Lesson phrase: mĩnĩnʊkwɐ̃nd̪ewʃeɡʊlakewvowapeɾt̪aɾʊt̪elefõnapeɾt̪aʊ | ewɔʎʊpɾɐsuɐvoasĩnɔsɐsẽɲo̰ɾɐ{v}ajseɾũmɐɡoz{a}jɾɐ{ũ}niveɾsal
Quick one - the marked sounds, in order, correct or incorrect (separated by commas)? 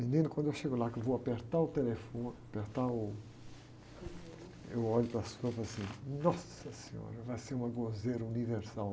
correct, incorrect, incorrect